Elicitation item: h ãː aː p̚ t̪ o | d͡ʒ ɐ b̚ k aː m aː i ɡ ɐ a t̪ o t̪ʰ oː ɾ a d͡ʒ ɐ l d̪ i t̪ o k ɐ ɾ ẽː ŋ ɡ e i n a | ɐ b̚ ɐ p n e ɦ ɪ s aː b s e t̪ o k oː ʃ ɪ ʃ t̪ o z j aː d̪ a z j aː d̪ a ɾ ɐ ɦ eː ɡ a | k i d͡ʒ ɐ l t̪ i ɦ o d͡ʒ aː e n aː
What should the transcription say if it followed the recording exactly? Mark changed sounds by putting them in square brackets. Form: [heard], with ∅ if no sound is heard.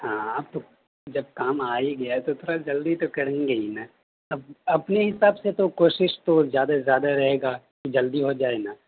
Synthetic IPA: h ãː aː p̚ t̪ o | d͡ʒ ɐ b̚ k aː m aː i ɡ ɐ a t̪ o t̪ʰ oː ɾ a d͡ʒ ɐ l d̪ i t̪ o k ɐ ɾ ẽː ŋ ɡ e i n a | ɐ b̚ ɐ p n e ɦ ɪ s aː b s e t̪ o k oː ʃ ɪ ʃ t̪ o z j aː d̪ a z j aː d̪ a ɾ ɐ ɦ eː ɡ a | k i d͡ʒ ɐ l [d̪] i ɦ o d͡ʒ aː e n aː